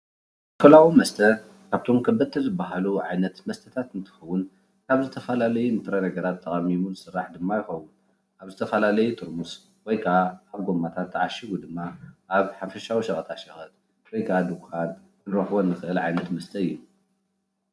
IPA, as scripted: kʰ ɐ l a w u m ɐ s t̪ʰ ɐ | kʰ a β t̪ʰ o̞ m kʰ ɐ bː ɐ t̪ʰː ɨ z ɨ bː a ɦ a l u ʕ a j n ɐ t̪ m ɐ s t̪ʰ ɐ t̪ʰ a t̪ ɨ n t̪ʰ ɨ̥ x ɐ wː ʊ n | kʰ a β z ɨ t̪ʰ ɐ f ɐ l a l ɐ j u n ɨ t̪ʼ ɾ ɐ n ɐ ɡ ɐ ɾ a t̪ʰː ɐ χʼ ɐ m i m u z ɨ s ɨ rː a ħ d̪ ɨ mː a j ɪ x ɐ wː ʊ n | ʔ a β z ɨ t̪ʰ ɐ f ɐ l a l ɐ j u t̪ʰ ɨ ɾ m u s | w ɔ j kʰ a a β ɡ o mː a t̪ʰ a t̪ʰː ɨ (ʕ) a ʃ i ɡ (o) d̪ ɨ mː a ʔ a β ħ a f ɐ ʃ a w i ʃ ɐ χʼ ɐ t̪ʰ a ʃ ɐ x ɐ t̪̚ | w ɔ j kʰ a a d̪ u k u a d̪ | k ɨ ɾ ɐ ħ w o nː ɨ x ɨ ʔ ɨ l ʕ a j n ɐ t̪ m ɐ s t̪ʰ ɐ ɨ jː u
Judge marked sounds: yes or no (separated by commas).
yes, no